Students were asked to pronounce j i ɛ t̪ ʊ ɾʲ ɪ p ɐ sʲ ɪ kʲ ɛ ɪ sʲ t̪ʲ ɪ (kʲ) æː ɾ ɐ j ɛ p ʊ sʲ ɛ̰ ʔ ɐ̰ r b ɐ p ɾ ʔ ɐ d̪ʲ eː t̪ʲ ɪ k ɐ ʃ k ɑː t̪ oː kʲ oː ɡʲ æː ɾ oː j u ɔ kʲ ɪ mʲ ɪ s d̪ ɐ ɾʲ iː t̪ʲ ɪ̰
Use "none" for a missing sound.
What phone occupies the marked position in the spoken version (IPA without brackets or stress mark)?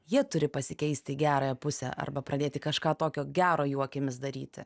ɡʲ